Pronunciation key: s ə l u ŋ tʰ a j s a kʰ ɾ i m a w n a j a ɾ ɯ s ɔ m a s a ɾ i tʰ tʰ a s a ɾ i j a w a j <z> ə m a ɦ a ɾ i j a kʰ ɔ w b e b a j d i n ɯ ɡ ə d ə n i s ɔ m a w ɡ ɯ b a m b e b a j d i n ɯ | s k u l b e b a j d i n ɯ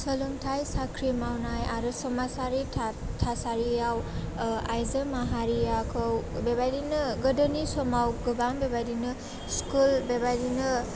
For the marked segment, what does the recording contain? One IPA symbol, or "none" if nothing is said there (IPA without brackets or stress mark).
z